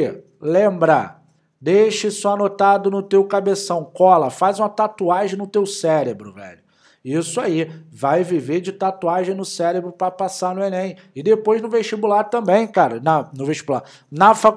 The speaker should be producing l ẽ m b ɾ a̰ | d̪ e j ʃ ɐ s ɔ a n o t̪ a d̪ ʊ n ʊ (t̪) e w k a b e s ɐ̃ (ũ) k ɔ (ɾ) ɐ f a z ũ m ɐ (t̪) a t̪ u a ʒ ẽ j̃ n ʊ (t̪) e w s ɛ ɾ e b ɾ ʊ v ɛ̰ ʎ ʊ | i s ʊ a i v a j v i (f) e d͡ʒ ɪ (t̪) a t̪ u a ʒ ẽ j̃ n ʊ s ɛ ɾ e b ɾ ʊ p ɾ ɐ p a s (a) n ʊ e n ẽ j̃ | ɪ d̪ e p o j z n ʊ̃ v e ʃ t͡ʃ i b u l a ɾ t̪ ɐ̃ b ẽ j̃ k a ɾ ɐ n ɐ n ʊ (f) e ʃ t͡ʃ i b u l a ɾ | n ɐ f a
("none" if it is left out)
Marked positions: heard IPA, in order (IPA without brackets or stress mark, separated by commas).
t̪, w̃, l, t̪, t̪, v, t̪, a, v